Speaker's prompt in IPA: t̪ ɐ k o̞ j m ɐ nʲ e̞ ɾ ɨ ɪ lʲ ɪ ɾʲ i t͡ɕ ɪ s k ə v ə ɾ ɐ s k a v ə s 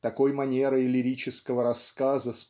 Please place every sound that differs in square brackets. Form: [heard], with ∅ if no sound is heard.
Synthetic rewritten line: t̪ ɐ k o̞ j m ɐ nʲ e̞ ɾ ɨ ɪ lʲ ɪ ɾʲ i t͡ɕ ɪ s k ə v ə ɾ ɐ s k a [z] ə s